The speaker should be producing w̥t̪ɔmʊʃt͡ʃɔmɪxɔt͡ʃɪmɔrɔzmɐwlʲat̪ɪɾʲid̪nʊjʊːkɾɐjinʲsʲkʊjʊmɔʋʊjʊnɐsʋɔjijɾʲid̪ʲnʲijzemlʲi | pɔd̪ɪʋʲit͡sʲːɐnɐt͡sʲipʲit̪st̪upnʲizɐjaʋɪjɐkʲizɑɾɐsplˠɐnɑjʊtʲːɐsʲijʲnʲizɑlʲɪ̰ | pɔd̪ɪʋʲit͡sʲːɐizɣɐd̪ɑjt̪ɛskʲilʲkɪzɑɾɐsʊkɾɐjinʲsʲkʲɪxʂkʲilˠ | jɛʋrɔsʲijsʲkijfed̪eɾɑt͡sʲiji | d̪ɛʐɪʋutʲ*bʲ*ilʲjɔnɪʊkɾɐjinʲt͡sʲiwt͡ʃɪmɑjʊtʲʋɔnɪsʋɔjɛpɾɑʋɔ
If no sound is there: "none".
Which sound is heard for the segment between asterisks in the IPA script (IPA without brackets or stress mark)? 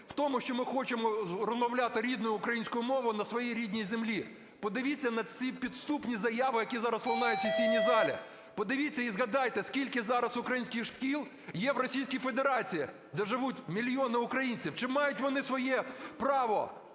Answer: mʲ